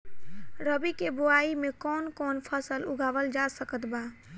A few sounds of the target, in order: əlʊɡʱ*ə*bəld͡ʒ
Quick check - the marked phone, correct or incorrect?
incorrect